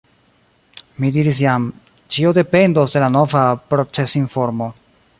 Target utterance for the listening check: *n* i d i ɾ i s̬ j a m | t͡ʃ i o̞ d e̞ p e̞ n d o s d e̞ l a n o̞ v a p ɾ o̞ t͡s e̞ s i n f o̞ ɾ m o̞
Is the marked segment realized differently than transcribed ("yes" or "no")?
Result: yes